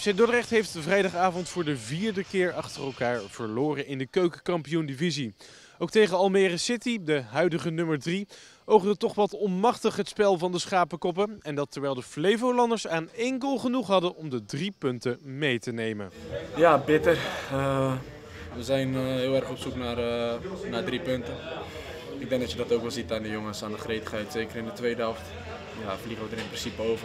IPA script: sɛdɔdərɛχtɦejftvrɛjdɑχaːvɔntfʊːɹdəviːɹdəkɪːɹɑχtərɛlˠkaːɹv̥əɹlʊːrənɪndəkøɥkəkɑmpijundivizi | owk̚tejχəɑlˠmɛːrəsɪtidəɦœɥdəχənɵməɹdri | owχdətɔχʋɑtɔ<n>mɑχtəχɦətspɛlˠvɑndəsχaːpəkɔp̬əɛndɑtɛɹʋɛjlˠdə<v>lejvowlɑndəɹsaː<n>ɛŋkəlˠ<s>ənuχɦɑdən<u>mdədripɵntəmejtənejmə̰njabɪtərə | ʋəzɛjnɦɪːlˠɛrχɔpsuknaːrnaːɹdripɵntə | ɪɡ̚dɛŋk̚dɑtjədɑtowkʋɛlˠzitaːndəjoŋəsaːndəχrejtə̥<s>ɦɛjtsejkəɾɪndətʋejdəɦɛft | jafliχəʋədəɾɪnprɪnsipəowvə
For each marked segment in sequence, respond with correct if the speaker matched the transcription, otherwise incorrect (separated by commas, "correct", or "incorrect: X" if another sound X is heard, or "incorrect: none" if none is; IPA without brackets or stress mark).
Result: correct, incorrect: f, correct, incorrect: χ, incorrect: ɔ, incorrect: χ